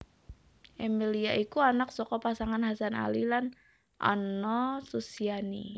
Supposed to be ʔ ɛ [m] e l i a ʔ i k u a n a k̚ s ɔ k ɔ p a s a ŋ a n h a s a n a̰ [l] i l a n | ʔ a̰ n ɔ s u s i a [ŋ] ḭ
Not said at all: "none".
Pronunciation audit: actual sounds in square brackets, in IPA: m, l, n

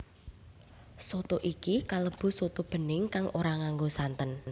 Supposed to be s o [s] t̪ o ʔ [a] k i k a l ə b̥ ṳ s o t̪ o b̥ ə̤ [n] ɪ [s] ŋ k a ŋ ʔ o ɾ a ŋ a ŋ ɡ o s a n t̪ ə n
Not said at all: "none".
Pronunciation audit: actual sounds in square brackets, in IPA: none, i, n, none

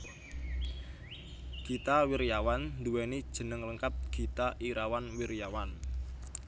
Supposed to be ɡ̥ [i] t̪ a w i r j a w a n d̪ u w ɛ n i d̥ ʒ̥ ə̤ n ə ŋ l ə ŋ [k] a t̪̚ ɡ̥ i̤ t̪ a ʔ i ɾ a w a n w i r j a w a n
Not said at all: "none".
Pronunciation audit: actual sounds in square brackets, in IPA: i, k

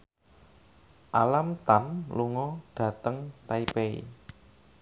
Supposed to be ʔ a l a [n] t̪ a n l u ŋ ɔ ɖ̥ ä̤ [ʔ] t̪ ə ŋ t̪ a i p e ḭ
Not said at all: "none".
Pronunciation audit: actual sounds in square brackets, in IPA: m, none

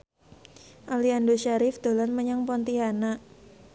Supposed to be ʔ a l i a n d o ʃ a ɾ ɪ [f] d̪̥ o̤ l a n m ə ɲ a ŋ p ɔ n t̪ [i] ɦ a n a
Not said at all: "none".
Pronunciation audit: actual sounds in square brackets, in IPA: f, i

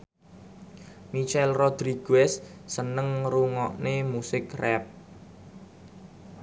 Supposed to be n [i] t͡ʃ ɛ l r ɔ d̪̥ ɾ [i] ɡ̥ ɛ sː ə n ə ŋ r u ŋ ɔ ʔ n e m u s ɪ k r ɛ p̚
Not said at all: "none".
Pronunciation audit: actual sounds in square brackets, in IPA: i, i

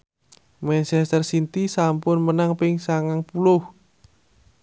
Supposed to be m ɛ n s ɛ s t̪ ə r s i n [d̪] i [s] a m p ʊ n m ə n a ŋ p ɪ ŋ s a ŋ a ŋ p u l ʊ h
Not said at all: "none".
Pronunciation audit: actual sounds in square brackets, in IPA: t̪, s

